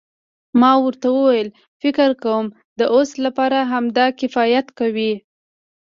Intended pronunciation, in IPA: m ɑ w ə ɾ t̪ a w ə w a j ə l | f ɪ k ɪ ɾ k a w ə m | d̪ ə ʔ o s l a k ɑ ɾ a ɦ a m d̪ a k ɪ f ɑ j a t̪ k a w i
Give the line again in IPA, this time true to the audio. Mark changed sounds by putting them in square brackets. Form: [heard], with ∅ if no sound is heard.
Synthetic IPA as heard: m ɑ w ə ɾ t̪ a w ə w a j ə l | f ɪ k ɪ ɾ k a w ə m | d̪ ə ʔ o s l a [p] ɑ ɾ a ɦ a m d̪ [ɑ] k ɪ f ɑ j a t̪ k a w i